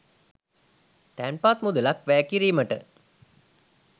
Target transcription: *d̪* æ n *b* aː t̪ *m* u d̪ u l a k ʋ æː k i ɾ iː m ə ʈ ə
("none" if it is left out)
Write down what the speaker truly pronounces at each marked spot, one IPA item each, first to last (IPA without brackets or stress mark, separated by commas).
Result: t̪, p, m